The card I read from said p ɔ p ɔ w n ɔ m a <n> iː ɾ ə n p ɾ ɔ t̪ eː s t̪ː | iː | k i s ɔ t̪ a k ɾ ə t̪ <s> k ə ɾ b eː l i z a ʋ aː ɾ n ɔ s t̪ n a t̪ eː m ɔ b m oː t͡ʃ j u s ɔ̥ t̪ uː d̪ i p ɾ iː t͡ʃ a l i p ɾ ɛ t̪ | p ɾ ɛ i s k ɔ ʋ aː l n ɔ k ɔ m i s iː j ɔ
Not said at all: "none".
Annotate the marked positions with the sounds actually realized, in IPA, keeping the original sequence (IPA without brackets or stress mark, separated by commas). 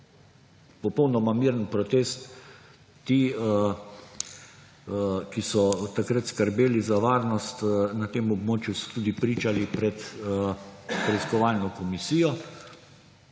m, s